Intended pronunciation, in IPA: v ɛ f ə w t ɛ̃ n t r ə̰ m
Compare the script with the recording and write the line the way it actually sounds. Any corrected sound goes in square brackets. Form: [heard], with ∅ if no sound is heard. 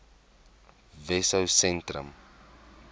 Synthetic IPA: v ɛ [s] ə w [s] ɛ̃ n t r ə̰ m